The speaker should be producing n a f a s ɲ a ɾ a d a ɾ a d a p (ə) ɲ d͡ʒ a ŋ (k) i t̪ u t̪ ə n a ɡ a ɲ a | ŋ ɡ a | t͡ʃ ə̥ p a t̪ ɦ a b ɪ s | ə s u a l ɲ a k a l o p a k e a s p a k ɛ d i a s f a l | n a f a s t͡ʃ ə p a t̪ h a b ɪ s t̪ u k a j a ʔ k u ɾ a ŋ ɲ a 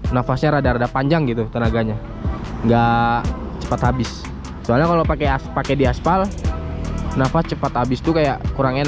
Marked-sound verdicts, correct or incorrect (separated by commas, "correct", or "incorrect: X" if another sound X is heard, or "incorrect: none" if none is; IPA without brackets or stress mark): incorrect: a, incorrect: ɡ